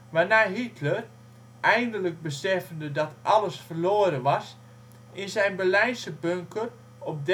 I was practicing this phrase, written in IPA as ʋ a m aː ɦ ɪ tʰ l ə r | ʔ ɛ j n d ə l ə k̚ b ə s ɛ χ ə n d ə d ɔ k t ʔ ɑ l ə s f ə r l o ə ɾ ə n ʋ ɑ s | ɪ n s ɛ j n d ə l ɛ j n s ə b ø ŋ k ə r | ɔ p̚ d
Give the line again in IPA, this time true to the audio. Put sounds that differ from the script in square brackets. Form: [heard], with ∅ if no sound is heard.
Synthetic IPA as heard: ʋ a [n] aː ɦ [i] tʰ l ə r | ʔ ɛ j n d ə l ə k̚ b ə s ɛ [f] ə n d ə d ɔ [∅] t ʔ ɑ l ə s f ə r l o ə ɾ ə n ʋ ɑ s | ɪ n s ɛ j n [b] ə l ɛ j n s ə b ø ŋ k ə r | ɔ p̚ d